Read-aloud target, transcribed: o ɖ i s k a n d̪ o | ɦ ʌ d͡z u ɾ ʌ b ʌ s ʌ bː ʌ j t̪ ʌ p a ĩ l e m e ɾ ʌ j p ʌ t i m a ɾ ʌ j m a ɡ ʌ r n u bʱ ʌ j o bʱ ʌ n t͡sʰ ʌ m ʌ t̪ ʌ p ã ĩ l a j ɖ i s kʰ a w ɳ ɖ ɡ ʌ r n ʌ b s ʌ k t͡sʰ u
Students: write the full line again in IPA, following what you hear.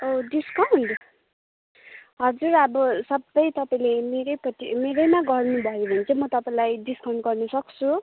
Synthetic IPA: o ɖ i s k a n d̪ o | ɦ ʌ d͡z u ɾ ʌ b ʌ s ʌ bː ʌ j t̪ ʌ p a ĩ l e m e ɾ ʌ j p ʌ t i m e ɾ ʌ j m a ɡ ʌ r n u bʱ ʌ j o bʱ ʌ n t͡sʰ ʌ m ʌ t̪ ʌ p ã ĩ l a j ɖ i s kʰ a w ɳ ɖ ɡ ʌ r n ʌ s ʌ k t͡sʰ u

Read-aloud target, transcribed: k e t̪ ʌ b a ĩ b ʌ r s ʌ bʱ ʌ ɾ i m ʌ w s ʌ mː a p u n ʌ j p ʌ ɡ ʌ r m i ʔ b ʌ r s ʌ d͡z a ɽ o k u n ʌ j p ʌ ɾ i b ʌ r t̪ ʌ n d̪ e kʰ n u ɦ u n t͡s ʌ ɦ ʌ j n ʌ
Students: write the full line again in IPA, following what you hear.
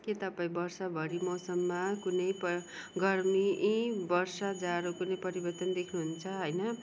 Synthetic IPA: k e t̪ ʌ p a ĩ b ʌ r s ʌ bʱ ʌ ɾ i m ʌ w s ʌ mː a k u n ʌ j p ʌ ɡ ʌ r m i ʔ b ʌ r s ʌ d͡z a ɾ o k u n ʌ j p ʌ ɾ i b ʌ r t̪ ʌ n d̪ e kʰ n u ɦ u n t͡sʰ ʌ ɦ ʌ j n ʌ

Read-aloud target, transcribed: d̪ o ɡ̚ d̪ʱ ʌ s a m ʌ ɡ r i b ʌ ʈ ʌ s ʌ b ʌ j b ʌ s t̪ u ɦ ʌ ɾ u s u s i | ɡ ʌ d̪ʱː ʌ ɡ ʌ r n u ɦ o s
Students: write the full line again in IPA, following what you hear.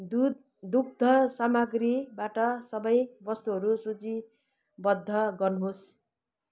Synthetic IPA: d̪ u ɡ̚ d̪ʱ ʌ s a m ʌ ɡ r i b a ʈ ʌ s ʌ b ʌ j b ʌ s t̪ u ɦ ʌ ɾ u s u t͡s i | b ʌ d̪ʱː ʌ ɡ ʌ r n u ɦ o s

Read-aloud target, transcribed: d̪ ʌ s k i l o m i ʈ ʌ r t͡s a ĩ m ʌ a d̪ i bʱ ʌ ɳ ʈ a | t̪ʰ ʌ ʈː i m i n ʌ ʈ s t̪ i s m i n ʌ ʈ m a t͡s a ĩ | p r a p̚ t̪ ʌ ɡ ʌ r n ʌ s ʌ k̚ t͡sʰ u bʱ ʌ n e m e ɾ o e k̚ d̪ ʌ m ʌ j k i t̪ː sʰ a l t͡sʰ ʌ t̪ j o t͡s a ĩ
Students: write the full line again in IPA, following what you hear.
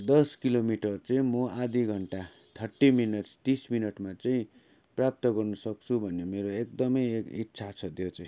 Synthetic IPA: d̪ ʌ s k i l o m i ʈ ʌ r t͡s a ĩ m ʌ a d̪ i ɡʱ ʌ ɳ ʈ a | t̪ʰ ʌ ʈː i m i n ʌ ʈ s t̪ i s m i n ʌ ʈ m a t͡s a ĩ | p r a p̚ t̪ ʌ ɡ ʌ r n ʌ s ʌ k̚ t͡sʰ u bʱ ʌ n e m e ɾ o e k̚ d̪ ʌ m ʌ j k i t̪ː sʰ a t͡sʰ ʌ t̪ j o t͡s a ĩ

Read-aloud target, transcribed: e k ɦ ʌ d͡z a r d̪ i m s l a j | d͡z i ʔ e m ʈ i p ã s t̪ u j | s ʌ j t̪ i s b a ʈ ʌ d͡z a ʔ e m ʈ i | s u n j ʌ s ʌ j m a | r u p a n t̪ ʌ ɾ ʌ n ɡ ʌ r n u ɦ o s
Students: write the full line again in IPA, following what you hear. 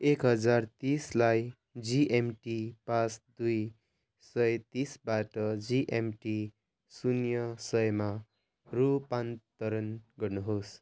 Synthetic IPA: e k ɦ ʌ d͡z a r t̪ i s l a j | d͡z i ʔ e m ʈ i p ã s d̪ u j | s ʌ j t̪ i s b a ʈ ʌ d͡z i ʔ e m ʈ i | s u n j ʌ s ʌ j m a | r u p a n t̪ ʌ ɾ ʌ n ɡ ʌ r n u ɦ o s

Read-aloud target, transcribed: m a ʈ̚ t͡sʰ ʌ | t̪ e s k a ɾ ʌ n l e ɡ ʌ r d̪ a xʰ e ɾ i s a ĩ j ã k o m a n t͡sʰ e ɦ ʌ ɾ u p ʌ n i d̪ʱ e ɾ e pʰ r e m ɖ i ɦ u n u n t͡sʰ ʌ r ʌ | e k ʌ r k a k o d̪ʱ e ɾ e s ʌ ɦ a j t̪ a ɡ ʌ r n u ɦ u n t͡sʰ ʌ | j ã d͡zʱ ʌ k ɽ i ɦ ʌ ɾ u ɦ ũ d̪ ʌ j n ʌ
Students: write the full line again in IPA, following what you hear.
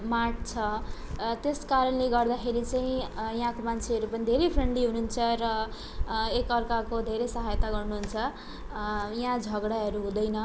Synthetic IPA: m a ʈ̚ t͡sʰ ʌ | t̪ e s k a ɾ ʌ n l e ɡ ʌ r d̪ a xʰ e ɾ i t͡s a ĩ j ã k o m a n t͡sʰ e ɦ ʌ ɾ u p ʌ n i d̪ʱ e ɾ e pʰ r e ɳ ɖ i ɦ u n u n t͡sʰ ʌ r ʌ | e k ʌ r k a k o d̪ʱ e ɾ e s ʌ ɦ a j t̪ a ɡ ʌ r n u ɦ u n t͡sʰ ʌ | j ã d͡zʱ ʌ ɡ ɽ a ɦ ʌ ɾ u ɦ ũ d̪ ʌ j n ʌ

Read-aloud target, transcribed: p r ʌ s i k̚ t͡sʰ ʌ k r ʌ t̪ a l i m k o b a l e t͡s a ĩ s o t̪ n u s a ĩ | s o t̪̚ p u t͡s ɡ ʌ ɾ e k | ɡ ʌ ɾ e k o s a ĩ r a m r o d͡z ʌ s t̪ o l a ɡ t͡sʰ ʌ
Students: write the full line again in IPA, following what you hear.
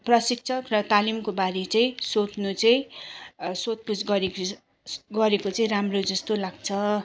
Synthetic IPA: p r ʌ s i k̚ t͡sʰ ʌ k r ʌ t̪ a l i m k o b a ɾ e t͡s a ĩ s o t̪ n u t͡s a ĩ | s o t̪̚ p u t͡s ɡ ʌ ɾ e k | ɡ ʌ ɾ e k o t͡s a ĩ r a m r o d͡z ʌ s t̪ o l a ɡ t͡sʰ ʌ

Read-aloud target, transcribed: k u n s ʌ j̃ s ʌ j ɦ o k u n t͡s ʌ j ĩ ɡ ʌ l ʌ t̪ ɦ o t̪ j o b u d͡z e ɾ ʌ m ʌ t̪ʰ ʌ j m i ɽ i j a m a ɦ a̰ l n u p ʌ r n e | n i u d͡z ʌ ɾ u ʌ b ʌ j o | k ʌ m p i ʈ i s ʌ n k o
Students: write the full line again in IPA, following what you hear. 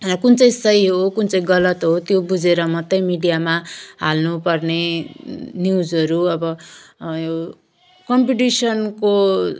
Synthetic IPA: k u n t͡s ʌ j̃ s ʌ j ɦ o k u n t͡s ʌ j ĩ ɡ ʌ l ʌ t̪ ɦ o t̪ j o b u d͡z e ɾ ʌ m ʌ t̪ ʌ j m i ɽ i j a m a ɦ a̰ l n u p ʌ r n e | n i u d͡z ʌ ɾ u ʌ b ʌ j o | k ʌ m p i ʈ i s ʌ n k o

